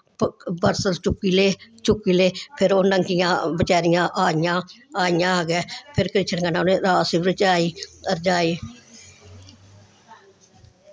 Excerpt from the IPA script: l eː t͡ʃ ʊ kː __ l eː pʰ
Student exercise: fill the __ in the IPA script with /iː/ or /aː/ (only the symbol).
iː